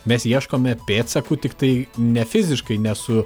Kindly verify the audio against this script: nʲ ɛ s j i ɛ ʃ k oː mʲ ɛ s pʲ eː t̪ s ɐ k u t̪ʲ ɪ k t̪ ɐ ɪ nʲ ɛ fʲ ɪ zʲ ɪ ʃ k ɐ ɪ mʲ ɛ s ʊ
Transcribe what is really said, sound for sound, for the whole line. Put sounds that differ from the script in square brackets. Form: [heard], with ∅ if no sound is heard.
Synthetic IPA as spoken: [mʲ] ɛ s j i ɛ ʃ k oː mʲ ɛ [∅] pʲ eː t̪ s ɐ k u t̪ʲ ɪ k t̪ ɐ ɪ nʲ ɛ fʲ ɪ zʲ ɪ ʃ k ɐ ɪ [nʲ] ɛ s ʊ